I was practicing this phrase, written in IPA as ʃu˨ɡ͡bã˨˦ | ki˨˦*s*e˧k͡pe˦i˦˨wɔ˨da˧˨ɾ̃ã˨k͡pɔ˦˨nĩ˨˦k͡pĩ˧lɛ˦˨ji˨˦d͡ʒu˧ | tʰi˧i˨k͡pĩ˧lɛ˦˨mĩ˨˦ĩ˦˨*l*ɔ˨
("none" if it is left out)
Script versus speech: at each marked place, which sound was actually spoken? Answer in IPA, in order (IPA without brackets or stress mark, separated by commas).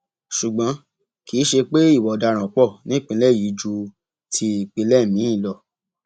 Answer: ʃ, l